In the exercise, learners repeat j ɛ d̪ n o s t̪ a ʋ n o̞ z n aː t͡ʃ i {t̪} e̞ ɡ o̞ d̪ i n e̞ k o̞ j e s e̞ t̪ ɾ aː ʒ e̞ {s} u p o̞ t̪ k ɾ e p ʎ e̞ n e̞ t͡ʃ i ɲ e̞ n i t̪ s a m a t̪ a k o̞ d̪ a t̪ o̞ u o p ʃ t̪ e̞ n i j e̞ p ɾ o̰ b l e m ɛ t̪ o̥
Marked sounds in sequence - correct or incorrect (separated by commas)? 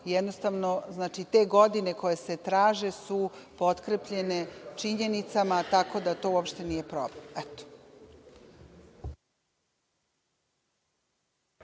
correct, correct